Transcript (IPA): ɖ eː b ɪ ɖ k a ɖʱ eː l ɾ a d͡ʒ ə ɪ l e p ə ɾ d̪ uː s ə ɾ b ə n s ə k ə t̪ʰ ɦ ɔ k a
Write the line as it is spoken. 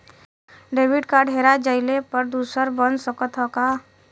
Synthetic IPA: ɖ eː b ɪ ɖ k a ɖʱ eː ɾ a d͡ʒ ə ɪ l e p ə ɾ d̪ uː s ə ɾ b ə n s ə k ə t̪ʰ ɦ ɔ k a

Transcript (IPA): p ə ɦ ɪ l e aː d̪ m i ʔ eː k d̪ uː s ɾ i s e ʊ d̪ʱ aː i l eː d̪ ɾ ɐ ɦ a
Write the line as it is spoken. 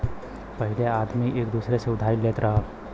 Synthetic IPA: p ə ɦ ɪ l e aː d̪ m i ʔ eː k d̪ uː s ɾ e s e ʊ d̪ʱ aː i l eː t̪ ɾ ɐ ɦ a

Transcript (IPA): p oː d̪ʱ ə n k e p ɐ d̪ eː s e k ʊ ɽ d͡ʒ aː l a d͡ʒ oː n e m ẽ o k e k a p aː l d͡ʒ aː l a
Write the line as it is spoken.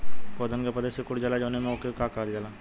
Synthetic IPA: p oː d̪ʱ ə n k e p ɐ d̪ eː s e k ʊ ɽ d͡ʒ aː l a d͡ʒ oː n e m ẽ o k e k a k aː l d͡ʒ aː l a

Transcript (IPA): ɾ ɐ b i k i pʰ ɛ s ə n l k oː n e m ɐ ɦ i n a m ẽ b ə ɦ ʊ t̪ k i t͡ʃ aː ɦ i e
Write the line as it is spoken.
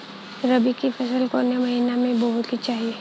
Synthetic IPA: ɾ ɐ b i k i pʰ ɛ s ə l k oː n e m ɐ ɦ i n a m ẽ b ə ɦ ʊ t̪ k i t͡ʃ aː ɦ i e

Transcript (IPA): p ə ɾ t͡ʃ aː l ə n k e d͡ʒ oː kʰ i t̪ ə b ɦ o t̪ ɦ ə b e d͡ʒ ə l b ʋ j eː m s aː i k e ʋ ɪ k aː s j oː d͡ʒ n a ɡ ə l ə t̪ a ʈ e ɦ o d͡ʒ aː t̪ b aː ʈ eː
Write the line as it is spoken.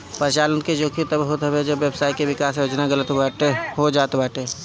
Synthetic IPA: p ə ɾ t͡ʃ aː l ə n k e d͡ʒ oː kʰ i t̪ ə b ɦ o t̪ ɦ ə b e d͡ʒ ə b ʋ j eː b s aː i k e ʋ ɪ k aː s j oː d͡ʒ n a ɡ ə l ə t̪ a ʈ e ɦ o d͡ʒ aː t̪ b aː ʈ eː

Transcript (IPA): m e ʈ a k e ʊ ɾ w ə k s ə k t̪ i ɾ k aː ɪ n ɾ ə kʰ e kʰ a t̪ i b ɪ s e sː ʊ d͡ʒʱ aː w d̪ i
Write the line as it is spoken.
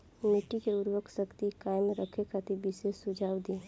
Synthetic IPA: m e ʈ i k e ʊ ɾ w ə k s ə k t̪ i k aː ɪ m ɾ ə kʰ e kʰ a t̪ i b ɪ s e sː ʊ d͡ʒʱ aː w d̪ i

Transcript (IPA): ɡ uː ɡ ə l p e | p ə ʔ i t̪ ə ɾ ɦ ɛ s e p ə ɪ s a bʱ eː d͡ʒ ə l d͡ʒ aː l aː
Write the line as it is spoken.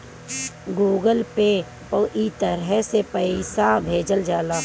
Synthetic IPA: ɡ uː ɡ ə l p e | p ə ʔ i t̪ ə ɾ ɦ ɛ s e p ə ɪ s a bʱ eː d͡ʒ ə l d͡ʒ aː l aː

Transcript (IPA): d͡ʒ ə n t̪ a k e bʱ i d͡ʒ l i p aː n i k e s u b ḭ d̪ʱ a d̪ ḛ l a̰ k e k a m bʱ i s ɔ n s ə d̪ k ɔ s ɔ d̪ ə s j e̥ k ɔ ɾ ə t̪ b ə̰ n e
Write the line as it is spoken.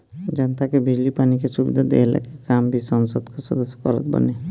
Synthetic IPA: d͡ʒ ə n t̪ a k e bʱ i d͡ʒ l i p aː n i k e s u b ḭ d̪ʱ a d̪ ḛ l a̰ k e k a m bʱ i s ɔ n s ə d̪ k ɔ s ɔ d̪ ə s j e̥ k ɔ ɾ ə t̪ b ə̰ n e

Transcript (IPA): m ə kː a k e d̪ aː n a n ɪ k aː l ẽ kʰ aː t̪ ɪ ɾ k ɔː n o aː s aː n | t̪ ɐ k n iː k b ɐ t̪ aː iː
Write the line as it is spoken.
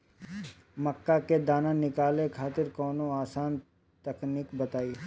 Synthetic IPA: m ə kː a k e d̪ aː n a n ɪ k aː l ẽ kʰ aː t̪ ɪ ɾ k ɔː n o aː s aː n | t̪ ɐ k n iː k b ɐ t̪ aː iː

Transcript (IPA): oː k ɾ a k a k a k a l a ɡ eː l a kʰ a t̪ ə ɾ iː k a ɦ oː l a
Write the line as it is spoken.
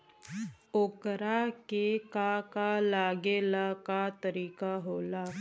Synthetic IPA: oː k ɾ a k e k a k a l a ɡ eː l a k a t̪ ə ɾ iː k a ɦ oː l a

